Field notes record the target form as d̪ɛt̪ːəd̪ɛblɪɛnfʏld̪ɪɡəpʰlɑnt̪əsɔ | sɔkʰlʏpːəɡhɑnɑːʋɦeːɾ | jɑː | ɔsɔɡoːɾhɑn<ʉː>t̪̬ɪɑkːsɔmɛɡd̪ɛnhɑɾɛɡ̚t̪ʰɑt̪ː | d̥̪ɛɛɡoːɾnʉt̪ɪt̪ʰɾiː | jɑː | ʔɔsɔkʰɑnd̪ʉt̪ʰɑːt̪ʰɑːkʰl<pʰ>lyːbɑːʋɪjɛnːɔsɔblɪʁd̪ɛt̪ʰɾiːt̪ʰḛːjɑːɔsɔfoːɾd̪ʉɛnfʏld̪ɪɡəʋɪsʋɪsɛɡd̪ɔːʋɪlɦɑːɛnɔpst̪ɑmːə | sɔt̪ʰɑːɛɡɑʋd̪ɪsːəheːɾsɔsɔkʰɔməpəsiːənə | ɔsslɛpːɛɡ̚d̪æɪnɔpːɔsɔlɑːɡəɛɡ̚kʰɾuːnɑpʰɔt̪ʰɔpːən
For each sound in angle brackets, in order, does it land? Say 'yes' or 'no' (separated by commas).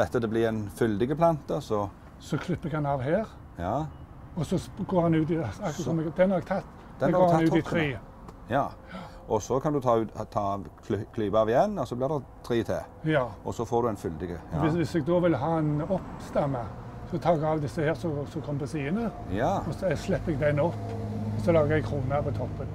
yes, no